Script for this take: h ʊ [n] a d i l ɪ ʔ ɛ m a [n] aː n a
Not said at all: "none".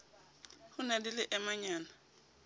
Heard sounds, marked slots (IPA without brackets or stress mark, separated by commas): n, ɲ